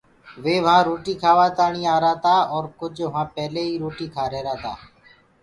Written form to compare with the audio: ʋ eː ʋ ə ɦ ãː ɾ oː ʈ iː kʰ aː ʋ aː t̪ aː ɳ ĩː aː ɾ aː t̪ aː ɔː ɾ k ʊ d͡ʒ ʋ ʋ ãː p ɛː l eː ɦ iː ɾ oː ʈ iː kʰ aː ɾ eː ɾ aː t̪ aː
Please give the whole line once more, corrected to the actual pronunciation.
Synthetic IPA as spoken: ʋ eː ʋ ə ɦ ãː ɾ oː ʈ iː kʰ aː ʋ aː t̪ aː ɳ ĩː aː ɾ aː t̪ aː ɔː ɾ k ʊ d͡ʒ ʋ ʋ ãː p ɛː l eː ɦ iː ɾ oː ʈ iː kʰ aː ɾ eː ɾ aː t̪ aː